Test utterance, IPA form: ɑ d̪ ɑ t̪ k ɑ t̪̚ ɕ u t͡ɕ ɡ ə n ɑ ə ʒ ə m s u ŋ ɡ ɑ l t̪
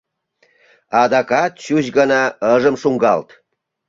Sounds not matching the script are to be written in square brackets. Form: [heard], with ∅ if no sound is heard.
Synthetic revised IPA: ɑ d̪ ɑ [∅] k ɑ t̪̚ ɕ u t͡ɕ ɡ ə n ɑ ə ʒ ə m [ʃ] u ŋ ɡ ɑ l t̪

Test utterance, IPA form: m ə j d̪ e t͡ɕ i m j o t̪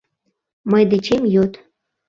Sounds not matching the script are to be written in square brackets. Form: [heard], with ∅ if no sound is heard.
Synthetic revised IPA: m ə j d̪ e t͡ɕ [e] m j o t̪

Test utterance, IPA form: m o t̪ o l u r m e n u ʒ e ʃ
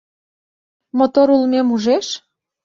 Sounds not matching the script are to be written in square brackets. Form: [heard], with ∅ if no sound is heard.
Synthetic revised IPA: m o t̪ o [ɾ] u [l] m e [m] u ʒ e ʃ

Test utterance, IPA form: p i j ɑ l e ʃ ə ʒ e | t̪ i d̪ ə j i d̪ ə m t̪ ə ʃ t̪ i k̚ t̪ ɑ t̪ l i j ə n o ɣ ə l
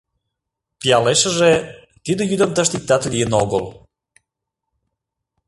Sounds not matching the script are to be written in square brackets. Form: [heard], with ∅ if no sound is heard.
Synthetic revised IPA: p i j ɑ l e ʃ ə ʒ e | t̪ i d̪ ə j [y] d̪ ə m t̪ ə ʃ t̪ i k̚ t̪ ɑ t̪ l i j ə n o ɣ ə l

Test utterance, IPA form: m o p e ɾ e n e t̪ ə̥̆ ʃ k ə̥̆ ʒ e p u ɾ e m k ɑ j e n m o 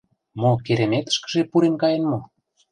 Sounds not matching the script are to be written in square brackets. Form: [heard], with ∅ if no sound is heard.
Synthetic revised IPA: m o [k] e ɾ e [m] e t̪ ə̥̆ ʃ k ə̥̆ ʒ e p u ɾ e m k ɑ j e n m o

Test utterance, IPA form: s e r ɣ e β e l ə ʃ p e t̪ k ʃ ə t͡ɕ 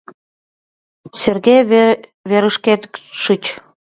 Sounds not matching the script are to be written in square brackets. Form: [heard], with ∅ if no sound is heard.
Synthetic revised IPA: s e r ɣ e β e [ɾ] ə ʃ [k] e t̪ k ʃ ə t͡ɕ

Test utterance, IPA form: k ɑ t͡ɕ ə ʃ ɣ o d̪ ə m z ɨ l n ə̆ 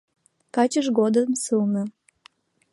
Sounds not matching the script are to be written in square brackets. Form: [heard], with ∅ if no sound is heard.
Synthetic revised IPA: k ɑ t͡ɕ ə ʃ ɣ o d̪ ə m [s] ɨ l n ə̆

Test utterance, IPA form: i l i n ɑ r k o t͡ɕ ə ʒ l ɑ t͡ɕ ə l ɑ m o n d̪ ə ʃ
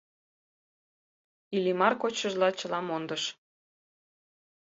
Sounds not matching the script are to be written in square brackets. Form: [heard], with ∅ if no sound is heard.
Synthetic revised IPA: i l i [m] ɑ r k o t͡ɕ ə ʒ l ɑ t͡ɕ ə l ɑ m o n d̪ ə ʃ

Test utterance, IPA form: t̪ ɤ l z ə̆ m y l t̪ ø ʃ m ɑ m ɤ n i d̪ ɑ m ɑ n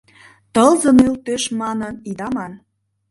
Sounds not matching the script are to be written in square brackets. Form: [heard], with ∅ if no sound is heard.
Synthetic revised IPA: t̪ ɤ l z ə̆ [n] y l t̪ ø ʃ m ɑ [n] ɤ n i d̪ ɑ m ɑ n

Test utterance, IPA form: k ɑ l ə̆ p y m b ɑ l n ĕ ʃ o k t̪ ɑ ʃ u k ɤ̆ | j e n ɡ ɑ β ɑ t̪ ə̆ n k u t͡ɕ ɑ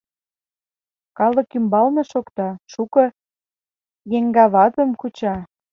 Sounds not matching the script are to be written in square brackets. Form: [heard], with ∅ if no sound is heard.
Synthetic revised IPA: k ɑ l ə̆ [k] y m b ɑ l n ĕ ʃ o k t̪ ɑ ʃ u k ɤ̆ | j e [ŋ] ɡ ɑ β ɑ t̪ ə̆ [m] k u t͡ɕ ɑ

